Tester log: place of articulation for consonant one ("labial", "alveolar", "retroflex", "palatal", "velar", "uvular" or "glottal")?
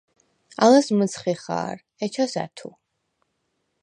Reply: alveolar